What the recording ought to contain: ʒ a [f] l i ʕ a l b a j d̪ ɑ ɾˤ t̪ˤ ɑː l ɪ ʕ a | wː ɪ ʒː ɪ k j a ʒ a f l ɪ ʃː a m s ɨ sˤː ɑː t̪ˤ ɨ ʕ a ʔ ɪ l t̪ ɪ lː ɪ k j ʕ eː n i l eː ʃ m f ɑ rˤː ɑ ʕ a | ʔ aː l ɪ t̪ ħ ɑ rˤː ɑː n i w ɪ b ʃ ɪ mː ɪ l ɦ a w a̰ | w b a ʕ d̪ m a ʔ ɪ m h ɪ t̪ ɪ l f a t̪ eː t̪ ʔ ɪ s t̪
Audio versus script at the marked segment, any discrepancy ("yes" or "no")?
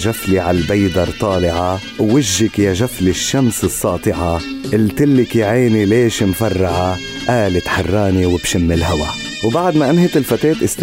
no